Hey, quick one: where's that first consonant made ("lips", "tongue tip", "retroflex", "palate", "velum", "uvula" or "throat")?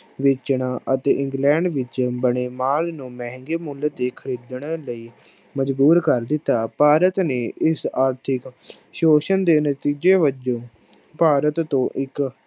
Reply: lips